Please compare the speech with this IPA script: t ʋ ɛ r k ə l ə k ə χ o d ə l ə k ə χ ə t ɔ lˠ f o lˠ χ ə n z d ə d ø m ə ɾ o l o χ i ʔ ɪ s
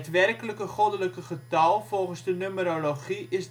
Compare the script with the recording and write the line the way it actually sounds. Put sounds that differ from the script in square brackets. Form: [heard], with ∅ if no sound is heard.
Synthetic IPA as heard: t ʋ ɛ r k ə l ə k ə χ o d ə l ə k ə χ ə t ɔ lˠ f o lˠ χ ə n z d ə [n] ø m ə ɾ o l o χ i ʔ ɪ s